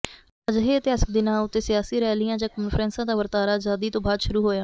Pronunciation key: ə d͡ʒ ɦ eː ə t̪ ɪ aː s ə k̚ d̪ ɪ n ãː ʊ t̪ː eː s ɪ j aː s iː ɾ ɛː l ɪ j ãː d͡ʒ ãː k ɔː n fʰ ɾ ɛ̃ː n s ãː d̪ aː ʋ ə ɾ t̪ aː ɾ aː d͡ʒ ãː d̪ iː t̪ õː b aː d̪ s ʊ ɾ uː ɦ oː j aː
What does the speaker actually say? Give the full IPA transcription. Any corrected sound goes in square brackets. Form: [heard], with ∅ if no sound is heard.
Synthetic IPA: ə d͡ʒ ɦ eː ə t̪ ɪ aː s ə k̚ d̪ ɪ n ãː ʊ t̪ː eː s ɪ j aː s iː ɾ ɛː l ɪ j ãː d͡ʒ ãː k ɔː n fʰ ɾ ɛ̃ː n s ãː d̪ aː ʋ ə ɾ t̪ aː ɾ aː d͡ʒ [aː] d̪ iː t̪ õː b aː d̪ [ʃ] ʊ ɾ uː ɦ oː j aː